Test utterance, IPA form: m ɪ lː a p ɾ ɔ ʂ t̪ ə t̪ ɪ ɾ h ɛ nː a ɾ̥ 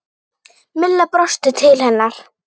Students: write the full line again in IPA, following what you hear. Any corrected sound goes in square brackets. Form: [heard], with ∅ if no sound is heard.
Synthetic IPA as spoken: m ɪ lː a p ɾ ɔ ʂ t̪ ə [t̪ʰ] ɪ [l] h ɛ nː a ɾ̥